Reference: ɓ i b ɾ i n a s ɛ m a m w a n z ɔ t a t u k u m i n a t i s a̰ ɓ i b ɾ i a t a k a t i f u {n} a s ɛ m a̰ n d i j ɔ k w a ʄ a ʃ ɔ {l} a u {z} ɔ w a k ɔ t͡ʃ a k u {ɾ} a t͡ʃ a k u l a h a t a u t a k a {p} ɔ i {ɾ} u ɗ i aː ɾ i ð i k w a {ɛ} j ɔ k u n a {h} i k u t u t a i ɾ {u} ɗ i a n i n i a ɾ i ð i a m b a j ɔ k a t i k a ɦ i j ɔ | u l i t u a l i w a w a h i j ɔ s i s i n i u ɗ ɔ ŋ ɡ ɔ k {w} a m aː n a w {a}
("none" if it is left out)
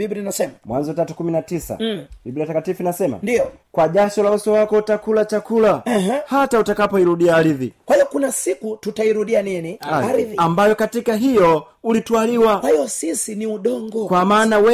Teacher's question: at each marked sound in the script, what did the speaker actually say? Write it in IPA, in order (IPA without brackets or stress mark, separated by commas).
n, l, s, l, p, ɾ, i, s, u, w, ɛ